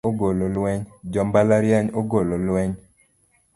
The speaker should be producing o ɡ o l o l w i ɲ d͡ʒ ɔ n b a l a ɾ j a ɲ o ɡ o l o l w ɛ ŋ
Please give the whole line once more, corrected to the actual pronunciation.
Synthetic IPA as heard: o ɡ o l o l w ɛ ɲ d͡ʒ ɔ m b a l a ɾ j a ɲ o ɡ o l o l w ɛ ɲ

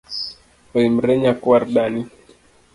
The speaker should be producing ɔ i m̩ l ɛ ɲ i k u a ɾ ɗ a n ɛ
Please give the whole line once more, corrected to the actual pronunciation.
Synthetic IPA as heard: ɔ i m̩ ɾ ɛ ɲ a k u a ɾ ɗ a n i

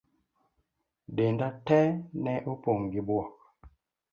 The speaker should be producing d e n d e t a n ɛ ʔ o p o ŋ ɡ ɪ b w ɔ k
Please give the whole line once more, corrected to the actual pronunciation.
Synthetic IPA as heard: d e n d a t ɛ n ɛ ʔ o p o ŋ ɡ i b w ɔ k

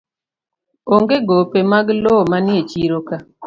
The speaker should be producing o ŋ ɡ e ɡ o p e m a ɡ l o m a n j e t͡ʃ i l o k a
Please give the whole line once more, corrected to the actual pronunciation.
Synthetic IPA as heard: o ŋ ɡ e ɡ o p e m a ɡ l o m a n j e t͡ʃ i ɾ o k a

